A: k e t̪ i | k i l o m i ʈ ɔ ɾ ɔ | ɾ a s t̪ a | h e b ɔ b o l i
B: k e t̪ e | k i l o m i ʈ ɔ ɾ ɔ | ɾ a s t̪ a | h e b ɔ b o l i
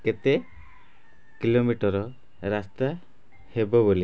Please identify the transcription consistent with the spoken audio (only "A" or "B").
B